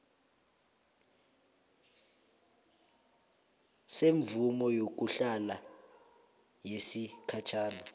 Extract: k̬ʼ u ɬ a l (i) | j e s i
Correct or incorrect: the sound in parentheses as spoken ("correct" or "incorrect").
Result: incorrect